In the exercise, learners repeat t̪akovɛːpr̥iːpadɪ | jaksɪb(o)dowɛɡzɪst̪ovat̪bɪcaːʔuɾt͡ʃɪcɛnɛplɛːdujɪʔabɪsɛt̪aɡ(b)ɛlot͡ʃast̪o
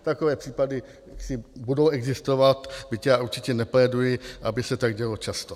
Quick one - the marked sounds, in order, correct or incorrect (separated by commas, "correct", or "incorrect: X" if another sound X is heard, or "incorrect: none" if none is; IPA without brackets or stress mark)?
incorrect: u, incorrect: ɟ